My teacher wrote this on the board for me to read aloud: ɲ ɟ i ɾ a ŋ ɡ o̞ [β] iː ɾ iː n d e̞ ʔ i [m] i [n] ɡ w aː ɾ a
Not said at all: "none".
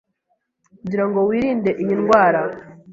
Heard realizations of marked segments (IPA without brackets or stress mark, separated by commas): w, ɲ, n